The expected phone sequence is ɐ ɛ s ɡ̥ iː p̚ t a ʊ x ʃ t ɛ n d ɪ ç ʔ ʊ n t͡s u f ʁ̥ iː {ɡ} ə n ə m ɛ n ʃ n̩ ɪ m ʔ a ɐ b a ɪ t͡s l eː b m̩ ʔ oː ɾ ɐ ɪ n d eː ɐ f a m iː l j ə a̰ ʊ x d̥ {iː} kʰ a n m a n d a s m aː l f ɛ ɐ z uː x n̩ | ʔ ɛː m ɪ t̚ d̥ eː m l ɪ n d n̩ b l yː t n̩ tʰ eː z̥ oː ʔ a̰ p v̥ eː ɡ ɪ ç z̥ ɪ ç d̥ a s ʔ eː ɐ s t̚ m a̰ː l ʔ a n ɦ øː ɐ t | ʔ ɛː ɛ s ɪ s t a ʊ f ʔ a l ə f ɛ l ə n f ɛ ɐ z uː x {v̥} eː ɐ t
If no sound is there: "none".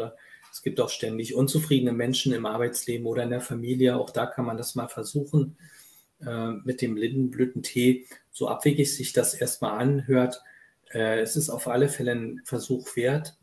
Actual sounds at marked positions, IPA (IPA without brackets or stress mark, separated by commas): d, aː, v̥